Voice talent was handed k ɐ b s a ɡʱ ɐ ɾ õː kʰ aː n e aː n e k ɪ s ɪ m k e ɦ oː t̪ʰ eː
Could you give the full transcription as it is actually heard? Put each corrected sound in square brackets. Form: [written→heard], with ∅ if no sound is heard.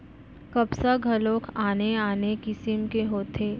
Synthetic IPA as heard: k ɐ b s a ɡʱ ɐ [ɾ→l] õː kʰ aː n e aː n e k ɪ s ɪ m k e ɦ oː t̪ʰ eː